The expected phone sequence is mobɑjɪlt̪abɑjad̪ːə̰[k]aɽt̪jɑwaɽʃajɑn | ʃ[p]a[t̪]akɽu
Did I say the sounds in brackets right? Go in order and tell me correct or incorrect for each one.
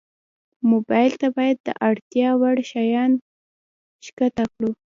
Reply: incorrect, incorrect, correct

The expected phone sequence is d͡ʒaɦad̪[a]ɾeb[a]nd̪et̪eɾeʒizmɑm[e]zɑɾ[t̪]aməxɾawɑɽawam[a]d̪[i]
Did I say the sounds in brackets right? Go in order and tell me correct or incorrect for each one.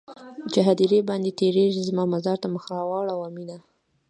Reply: incorrect, incorrect, incorrect, correct, incorrect, incorrect

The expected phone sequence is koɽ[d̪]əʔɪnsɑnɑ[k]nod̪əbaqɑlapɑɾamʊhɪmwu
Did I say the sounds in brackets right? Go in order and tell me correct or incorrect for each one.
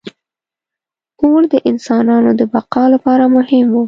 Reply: correct, incorrect

